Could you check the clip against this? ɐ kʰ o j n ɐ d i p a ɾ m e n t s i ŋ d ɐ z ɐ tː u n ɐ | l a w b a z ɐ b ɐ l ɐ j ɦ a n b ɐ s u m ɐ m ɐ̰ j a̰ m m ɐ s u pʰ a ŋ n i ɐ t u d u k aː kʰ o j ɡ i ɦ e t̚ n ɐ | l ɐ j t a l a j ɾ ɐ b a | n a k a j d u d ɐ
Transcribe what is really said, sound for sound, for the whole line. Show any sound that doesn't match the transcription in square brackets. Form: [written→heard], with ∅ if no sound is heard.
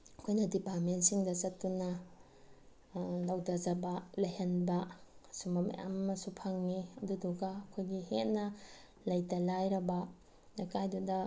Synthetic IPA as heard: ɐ kʰ o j n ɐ d i p a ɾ m e n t s i ŋ d ɐ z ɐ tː u n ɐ | l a w [b→d] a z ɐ b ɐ l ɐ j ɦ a n b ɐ s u m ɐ m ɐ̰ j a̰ m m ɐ s u pʰ a ŋ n i ɐ [t→d] u d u [k→ɡ] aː kʰ o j ɡ i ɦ e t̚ n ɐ | l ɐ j t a l a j ɾ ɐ b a | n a k a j d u d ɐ